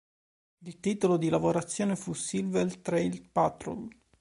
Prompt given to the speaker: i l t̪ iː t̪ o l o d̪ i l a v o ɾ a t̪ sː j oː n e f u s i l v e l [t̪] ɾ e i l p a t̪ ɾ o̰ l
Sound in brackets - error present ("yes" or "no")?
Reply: no